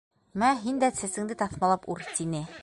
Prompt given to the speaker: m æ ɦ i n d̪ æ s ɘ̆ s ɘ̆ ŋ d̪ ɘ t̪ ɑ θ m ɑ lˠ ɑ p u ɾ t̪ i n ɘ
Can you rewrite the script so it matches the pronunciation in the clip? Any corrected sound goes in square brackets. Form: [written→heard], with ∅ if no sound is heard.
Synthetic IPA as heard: m æ ɦ i n d̪ æ s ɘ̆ s ɘ̆ ŋ d̪ ɘ t̪ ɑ θ m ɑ lˠ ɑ p u ɾ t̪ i n ɘ